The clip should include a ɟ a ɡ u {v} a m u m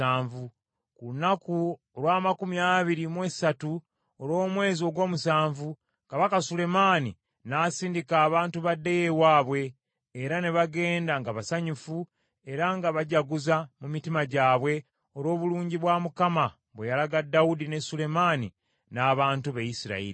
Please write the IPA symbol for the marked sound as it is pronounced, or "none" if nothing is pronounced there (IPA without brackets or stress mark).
z